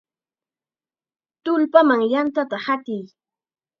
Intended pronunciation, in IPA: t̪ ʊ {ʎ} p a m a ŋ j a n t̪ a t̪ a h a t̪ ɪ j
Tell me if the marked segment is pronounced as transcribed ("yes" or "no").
no